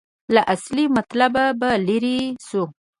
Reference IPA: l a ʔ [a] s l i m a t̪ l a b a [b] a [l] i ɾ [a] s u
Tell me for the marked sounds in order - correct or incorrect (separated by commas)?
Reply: correct, correct, correct, incorrect